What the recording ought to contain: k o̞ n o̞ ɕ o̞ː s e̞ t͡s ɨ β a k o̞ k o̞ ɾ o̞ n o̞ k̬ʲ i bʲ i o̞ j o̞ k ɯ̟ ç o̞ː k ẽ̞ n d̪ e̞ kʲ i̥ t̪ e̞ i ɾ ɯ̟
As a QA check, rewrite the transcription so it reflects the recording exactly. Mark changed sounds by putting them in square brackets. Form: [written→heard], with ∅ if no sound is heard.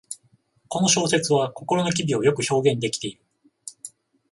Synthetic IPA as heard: k o̞ n o̞ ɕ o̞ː s e̞ t͡s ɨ β a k o̞ k o̞ ɾ o̞ n o̞ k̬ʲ i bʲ i o̞ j o̞ k ɯ̟ ç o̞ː [k→ɡ] ẽ̞ n d̪ e̞ kʲ i̥ t̪ e̞ i ɾ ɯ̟